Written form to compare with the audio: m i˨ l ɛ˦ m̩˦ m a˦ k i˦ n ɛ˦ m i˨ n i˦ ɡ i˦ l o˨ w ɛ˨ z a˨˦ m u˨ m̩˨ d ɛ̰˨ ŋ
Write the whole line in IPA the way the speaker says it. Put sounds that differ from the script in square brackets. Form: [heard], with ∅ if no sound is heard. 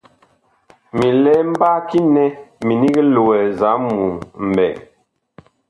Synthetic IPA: m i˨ l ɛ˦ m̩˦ [b] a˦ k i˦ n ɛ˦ m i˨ n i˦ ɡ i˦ l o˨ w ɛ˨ z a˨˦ m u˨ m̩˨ [b] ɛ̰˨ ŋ